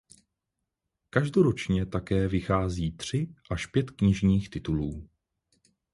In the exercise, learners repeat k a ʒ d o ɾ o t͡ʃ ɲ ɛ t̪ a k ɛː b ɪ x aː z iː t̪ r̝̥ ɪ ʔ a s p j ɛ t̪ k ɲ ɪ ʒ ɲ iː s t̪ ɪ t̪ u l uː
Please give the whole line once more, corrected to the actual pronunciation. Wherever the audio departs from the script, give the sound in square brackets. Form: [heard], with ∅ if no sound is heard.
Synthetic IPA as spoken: k a ʒ d o ɾ o t͡ʃ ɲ ɛ t̪ a k ɛː [v] ɪ x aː z iː t̪ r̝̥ ɪ ʔ a [ʃ] p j ɛ t̪ k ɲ ɪ ʒ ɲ iː [x] t̪ ɪ t̪ u l uː